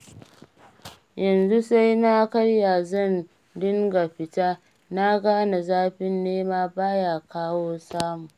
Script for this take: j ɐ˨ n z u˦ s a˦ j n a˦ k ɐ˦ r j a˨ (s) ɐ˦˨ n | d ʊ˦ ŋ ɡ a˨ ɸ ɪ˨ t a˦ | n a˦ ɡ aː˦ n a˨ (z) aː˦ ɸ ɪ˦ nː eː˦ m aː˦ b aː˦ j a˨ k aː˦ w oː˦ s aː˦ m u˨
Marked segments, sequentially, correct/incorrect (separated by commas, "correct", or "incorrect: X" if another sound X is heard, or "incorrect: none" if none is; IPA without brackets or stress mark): incorrect: z, correct